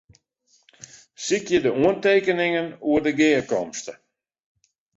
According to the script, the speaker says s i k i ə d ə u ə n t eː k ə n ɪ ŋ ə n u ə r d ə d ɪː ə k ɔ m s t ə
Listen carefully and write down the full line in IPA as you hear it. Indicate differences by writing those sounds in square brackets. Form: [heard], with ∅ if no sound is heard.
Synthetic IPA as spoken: s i k [j] ə d ə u ə n t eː k ə n ɪ ŋ ə n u ə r d ə [ɡ] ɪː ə k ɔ m s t ə